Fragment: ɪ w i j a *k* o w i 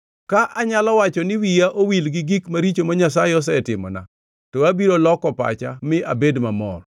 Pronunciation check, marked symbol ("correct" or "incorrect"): incorrect